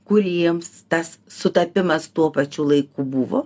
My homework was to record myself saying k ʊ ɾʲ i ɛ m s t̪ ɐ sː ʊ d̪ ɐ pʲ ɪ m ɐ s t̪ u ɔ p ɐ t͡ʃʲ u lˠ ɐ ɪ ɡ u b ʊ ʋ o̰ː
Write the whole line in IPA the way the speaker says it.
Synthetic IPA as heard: k ʊ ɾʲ i ɛ m s t̪ ɐ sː ʊ t̪ ɐ pʲ ɪ m ɐ s t̪ u ɔ p ɐ t͡ʃʲ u lˠ ɐ ɪ k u b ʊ ʋ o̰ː